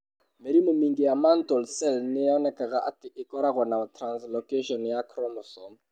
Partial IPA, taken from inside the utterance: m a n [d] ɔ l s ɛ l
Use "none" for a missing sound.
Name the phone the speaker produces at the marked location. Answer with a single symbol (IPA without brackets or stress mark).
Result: t